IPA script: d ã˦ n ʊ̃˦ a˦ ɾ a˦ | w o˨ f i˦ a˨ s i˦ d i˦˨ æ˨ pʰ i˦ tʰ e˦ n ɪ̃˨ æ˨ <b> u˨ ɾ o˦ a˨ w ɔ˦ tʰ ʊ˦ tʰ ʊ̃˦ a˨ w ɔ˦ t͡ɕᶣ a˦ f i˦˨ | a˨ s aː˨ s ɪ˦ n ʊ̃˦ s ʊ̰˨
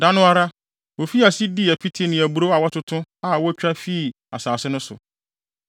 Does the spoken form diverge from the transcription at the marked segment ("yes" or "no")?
no